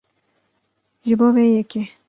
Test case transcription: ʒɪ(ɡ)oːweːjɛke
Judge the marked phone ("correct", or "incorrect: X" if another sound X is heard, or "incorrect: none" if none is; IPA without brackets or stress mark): incorrect: b